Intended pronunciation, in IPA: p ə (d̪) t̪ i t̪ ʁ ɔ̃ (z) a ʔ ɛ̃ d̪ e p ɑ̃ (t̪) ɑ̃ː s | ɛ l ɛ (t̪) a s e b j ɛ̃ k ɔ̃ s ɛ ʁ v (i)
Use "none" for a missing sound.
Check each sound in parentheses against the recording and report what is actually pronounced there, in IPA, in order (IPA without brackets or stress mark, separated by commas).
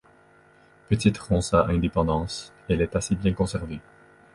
none, s, d̪, t̪, e